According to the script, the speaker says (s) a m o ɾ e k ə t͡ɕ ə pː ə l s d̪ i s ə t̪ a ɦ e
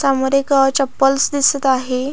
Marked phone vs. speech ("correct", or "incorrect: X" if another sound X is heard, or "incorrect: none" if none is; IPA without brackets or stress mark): correct